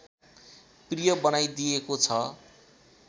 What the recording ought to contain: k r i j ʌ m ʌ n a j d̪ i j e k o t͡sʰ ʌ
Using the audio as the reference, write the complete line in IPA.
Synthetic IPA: p r i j ʌ b ʌ n a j d̪ i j e k o t͡sʰ ʌ